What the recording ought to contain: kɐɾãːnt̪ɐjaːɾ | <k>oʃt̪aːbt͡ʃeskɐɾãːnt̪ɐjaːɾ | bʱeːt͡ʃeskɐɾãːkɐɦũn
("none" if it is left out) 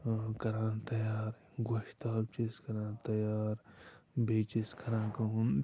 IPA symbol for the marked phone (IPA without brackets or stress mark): ɡ